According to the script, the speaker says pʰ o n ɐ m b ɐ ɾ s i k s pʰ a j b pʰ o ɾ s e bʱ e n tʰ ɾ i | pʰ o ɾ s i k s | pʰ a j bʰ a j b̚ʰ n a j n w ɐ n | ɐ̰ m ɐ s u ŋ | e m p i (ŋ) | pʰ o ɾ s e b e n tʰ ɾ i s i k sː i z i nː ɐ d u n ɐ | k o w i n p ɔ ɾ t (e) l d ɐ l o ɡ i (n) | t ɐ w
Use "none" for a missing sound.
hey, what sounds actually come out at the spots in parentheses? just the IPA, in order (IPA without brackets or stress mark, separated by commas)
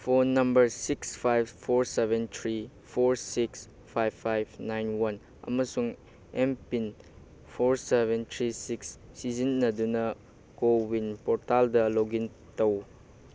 n, a, n